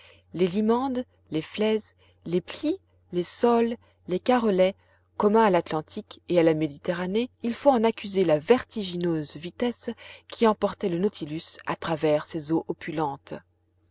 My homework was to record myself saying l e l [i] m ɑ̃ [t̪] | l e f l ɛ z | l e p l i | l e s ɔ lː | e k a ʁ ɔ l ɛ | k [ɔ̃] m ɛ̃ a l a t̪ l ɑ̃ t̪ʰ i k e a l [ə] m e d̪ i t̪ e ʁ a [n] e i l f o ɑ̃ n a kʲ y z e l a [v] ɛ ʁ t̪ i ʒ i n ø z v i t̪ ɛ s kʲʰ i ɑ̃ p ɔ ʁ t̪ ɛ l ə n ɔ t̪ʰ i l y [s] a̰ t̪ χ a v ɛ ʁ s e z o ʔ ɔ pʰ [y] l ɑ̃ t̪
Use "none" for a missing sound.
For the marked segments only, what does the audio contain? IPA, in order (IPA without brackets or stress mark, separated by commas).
i, d̪, ɔ, a, n, v, s, y